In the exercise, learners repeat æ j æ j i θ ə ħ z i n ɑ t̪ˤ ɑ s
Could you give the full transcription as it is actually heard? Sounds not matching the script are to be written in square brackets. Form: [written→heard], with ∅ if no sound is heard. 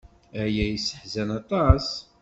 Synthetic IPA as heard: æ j æ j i [θ→s] ə ħ z [i→æ] n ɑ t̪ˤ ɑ s

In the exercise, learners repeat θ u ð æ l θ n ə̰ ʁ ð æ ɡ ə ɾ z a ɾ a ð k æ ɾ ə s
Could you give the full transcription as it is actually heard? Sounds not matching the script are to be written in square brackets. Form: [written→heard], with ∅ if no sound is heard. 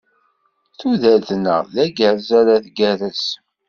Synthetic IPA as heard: θ u ð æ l θ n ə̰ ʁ ð æ ɡ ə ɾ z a ɾ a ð [k→ɡ] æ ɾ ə s

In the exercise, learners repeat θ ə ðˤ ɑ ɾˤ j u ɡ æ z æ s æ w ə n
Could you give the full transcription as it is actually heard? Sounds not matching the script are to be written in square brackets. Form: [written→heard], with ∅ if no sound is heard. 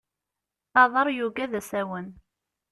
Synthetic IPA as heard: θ [ə→ɑ] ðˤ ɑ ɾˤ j u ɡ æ [z→ð] æ s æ w ə n

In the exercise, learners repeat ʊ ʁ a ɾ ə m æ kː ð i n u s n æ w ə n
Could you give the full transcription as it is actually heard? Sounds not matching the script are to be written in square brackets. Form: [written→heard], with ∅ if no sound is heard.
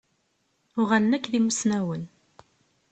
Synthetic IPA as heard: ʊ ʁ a [ɾ→l] ə [m→n] æ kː ð i [n→m] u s n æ w ə n

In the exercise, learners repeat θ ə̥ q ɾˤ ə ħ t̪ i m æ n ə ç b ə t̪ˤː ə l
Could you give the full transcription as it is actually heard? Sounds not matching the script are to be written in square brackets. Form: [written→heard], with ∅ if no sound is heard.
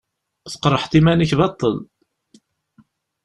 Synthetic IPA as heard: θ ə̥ q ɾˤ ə ħ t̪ i m æ n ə ç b [ə→ɑ] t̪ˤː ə l

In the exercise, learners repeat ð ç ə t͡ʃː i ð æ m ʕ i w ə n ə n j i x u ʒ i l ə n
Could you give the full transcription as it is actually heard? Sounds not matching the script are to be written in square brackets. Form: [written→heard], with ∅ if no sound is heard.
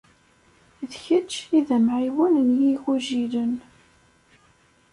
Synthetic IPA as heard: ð ç ə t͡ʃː i ð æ m ʕ i w ə n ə n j i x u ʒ i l ə n

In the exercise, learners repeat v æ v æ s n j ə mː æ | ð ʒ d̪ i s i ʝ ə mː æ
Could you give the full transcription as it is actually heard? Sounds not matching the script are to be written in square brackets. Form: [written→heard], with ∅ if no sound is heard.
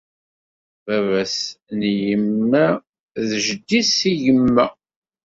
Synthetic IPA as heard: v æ v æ s n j ə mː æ | ð ʒ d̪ i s i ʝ ə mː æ

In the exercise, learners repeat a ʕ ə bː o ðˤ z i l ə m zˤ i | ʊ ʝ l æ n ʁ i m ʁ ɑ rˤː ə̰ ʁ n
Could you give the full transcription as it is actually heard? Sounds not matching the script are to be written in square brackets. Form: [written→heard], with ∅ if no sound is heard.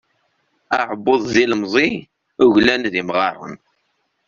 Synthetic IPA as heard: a ʕ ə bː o ðˤ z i l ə m zˤ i | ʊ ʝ l æ n [ʁ→ð] i m ʁ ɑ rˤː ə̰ [ʁ→∅] n

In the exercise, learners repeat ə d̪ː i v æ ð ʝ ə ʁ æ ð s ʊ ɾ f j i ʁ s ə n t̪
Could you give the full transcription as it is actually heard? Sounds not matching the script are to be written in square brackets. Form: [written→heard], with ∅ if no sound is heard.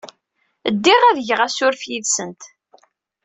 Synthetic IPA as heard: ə d̪ː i [v→ʁ] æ ð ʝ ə ʁ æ [ð→∅] s ʊ ɾ f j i [ʁ→ð] s ə n t̪

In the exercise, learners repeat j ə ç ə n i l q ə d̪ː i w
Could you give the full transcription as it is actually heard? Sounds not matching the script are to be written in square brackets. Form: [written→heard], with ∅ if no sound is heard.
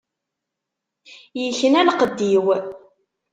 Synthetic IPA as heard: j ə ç ə n [i→æ] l q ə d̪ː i w

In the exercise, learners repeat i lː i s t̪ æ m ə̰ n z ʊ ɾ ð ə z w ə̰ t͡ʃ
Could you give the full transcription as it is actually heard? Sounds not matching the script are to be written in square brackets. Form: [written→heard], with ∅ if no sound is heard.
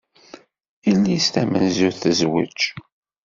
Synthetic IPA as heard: i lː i s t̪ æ m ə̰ n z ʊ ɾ [ð→θ] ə z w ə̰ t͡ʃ

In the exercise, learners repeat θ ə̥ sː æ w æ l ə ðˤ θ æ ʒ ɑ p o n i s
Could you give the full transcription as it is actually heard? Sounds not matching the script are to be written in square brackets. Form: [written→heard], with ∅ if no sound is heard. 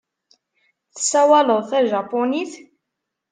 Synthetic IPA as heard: θ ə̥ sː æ w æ l ə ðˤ θ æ ʒ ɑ p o n i [s→θ]

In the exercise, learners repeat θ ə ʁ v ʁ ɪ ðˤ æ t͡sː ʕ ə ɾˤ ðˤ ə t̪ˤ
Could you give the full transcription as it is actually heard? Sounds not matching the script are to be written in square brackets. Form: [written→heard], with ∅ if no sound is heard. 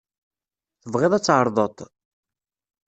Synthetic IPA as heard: θ ə [ʁ→∅] v ʁ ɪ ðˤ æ t͡sː ʕ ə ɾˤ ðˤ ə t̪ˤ

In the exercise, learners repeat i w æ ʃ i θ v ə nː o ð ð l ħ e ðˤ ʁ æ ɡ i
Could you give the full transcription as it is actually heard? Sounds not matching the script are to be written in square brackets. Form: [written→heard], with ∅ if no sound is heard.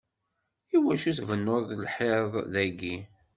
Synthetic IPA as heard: i w æ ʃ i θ v ə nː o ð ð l ħ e ðˤ [ʁ→ð] æ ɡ i

